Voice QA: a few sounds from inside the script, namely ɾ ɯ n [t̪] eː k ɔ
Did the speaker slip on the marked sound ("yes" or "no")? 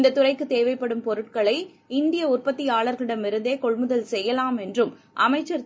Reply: yes